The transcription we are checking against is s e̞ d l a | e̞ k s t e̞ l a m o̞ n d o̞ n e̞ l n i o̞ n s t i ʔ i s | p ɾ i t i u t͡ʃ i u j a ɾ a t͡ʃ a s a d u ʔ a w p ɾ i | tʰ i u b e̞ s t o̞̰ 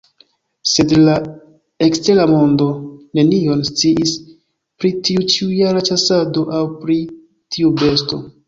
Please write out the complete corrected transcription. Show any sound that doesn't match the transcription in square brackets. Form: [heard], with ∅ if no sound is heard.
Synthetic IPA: s e̞ d l a | e̞ k s t e̞ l a m o̞ n d o̞ n e̞ [∅] n i o̞ n s [t͡s] i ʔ i s | p ɾ i t i u t͡ʃ i u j a ɾ a t͡ʃ a s a d [o] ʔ a w p ɾ i | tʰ i u b e̞ s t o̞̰